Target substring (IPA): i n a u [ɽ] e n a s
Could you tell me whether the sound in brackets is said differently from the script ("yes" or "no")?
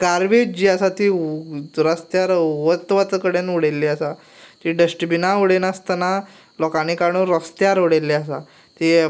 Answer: no